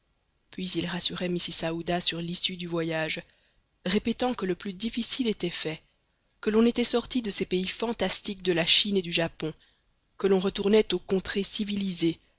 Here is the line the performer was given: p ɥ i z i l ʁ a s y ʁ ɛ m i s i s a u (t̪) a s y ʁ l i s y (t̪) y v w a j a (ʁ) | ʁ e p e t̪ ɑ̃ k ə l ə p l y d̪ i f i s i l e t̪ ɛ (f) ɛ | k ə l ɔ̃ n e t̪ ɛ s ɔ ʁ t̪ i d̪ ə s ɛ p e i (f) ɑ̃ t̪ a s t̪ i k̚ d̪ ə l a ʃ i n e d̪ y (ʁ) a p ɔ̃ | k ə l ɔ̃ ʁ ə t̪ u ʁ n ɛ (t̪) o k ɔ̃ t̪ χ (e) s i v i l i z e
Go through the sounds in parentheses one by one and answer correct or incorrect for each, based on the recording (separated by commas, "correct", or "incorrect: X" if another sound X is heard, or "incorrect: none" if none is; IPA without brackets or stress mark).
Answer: incorrect: d̪, incorrect: d̪, incorrect: ʒ, correct, correct, incorrect: ʒ, correct, correct